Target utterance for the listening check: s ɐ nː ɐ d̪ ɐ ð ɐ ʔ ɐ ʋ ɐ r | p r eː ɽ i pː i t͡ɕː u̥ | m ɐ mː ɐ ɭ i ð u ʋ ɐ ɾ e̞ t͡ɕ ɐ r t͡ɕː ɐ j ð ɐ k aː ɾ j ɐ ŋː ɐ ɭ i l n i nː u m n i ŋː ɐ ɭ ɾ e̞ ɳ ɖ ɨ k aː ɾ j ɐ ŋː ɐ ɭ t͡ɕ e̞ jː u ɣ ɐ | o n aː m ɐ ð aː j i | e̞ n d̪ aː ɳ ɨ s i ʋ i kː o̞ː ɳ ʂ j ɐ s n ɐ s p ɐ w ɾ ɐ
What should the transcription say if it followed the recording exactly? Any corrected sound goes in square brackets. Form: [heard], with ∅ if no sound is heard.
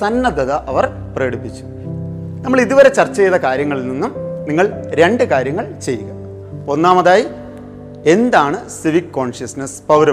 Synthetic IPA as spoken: s ɐ nː ɐ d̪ ɐ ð ɐ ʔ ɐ ʋ ɐ r | p r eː ɽ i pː i t͡ɕː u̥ | [n] ɐ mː ɐ ɭ i ð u ʋ ɐ ɾ e̞ t͡ɕ ɐ r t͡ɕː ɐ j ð ɐ k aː ɾ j ɐ ŋː ɐ ɭ i l n i nː u m n i ŋː ɐ ɭ ɾ e̞ ɳ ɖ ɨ k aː ɾ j ɐ ŋː ɐ ɭ t͡ɕ e̞ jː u ɣ ɐ | o [nː] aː m ɐ ð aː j i | e̞ n d̪ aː ɳ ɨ s i ʋ i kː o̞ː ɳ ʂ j ɐ s n ɐ s p ɐ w ɾ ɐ